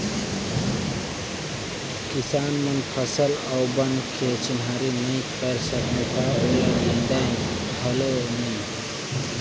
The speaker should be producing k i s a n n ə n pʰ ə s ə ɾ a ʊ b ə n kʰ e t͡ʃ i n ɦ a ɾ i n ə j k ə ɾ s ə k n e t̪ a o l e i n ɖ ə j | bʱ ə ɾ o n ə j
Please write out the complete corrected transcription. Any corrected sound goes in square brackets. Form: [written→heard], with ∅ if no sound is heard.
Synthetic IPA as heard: k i s a n [n→m] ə n pʰ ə s ə [ɾ→l] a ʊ b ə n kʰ e t͡ʃ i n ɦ a ɾ i n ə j k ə ɾ s ə k n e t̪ a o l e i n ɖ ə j | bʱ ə [ɾ→l] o n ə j